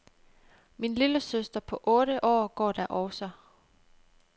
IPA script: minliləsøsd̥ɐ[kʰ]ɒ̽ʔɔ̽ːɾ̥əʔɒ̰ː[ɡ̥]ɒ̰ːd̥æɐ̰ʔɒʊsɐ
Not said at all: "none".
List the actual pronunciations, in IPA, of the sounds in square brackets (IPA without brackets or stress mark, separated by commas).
pʰ, ɡ̥